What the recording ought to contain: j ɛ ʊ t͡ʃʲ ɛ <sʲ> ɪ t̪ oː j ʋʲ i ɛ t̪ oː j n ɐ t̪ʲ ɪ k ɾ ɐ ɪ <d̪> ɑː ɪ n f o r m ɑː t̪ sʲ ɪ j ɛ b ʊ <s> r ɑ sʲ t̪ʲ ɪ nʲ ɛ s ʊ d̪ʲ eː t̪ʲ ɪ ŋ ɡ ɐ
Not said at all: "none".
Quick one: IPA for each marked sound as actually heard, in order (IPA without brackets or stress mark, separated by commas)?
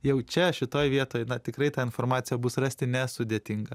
ʃʲ, t̪, s